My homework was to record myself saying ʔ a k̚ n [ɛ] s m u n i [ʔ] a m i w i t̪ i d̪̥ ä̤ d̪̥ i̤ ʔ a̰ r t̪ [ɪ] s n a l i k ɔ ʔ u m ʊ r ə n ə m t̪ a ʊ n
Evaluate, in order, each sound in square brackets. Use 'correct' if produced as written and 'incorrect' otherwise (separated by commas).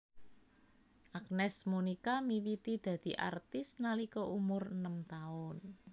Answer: correct, incorrect, correct